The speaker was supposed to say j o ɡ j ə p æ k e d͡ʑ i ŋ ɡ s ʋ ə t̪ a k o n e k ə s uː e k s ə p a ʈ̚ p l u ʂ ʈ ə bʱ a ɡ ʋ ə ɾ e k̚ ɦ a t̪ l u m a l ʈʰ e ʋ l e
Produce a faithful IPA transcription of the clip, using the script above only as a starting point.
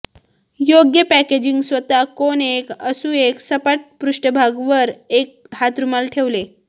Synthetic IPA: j o ɡ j ə p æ k e d͡ʑ i ŋ ɡ s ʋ ə t̪ a k o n e k ə s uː e k s ə p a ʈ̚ p ɾ u ʂ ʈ ə bʱ a ɡ ʋ ə ɾ e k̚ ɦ a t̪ ɾ u m a l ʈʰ e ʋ l e